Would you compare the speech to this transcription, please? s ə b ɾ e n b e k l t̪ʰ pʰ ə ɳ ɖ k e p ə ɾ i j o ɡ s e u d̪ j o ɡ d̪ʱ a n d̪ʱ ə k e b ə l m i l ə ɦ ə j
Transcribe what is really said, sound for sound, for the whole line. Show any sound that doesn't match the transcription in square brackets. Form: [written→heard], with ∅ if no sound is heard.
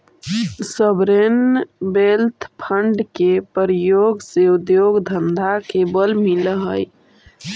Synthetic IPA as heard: s ə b ɾ e n b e [k→∅] l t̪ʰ pʰ ə ɳ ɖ k e p ə ɾ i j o ɡ s e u d̪ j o ɡ d̪ʱ [a→ə] n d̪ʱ [ə→a] k e b ə l m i l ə ɦ ə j

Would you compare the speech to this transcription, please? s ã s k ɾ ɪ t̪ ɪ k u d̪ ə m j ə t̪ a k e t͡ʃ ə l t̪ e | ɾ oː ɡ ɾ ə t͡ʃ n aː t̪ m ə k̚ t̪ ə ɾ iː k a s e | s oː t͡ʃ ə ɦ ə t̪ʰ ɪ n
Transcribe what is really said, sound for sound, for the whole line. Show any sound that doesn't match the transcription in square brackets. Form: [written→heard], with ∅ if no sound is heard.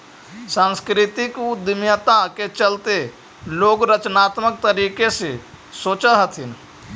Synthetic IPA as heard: s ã s k ɾ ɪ t̪ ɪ k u d̪ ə m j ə t̪ a k e t͡ʃ ə l t̪ e | [ɾ→l] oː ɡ ɾ ə t͡ʃ n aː t̪ m ə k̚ t̪ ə ɾ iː k [a→e] s e | s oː t͡ʃ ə ɦ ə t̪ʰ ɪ n

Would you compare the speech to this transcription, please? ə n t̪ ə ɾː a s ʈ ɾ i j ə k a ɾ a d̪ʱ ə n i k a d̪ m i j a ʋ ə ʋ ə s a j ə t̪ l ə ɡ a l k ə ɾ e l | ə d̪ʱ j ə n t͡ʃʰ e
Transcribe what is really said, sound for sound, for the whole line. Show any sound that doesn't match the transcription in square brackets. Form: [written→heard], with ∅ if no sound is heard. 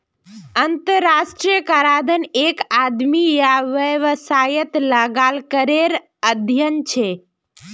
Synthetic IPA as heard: ə n t̪ ə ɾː a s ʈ ɾ i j ə k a ɾ a d̪ʱ ə n [i→e] k a d̪ m i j a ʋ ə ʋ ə s a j ə t̪ l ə ɡ a l k ə ɾ e [l→ɾ] | ə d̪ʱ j ə n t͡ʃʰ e

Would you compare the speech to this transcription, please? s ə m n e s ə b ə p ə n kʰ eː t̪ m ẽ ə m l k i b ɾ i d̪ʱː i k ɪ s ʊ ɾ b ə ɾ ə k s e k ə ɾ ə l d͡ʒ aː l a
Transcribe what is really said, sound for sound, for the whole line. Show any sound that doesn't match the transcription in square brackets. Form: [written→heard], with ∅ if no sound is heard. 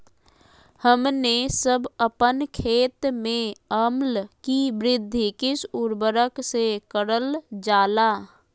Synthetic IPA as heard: [s→h] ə m n e s ə b ə p ə n kʰ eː t̪ m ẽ ə m l k i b ɾ [i→ɪ] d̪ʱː i k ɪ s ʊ ɾ b ə ɾ ə k s e k ə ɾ ə l d͡ʒ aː l a

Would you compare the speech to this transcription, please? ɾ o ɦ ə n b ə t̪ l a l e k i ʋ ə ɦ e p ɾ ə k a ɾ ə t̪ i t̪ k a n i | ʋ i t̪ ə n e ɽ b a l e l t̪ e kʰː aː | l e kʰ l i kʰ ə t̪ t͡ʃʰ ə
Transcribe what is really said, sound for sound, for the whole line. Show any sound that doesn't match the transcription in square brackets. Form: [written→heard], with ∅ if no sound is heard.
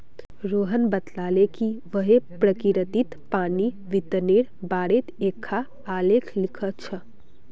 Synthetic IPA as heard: ɾ o ɦ ə n b ə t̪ l a l e k i ʋ ə ɦ e p ɾ ə k [a→i] ɾ ə t̪ i t̪ [k→p] a n i | ʋ i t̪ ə n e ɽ b a [l→ɽ] e [l→∅] t̪ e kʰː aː | l e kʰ l i kʰ ə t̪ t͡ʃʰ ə

